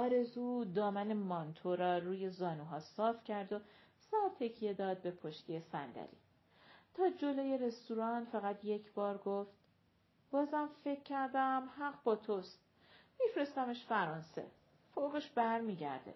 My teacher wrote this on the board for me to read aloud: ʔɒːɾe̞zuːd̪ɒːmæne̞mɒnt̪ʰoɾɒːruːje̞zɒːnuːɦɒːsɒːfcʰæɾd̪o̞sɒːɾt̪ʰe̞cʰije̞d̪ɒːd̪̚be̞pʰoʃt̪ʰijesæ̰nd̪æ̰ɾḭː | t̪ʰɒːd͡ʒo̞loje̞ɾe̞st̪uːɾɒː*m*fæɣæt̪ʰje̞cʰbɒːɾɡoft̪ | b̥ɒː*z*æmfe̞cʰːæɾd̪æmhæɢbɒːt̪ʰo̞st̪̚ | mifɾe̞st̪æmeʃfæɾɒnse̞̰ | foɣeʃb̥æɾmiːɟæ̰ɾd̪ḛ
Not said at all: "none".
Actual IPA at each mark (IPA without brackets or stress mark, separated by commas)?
n, z